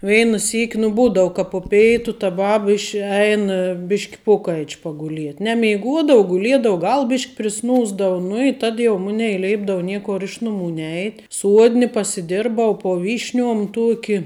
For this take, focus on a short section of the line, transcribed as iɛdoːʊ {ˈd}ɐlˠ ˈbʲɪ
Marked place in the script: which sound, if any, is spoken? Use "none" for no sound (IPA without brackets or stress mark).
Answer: ɡ